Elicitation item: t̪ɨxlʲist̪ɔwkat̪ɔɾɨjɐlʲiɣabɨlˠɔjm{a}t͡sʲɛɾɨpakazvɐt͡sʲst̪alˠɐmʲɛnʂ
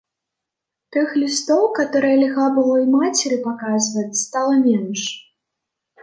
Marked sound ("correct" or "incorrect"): correct